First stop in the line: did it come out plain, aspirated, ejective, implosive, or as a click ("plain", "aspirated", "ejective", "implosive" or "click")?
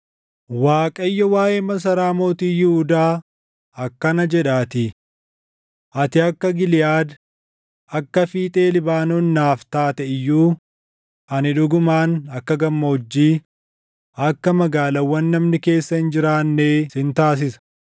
ejective